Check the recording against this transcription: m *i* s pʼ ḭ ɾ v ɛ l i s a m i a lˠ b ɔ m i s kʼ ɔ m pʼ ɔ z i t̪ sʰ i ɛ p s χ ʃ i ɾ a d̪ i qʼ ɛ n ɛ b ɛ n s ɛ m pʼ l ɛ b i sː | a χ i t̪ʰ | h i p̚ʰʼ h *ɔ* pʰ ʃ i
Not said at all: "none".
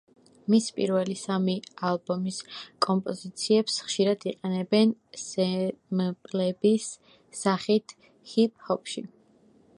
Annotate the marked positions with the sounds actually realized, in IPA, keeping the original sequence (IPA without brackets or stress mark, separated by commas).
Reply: i, ɔ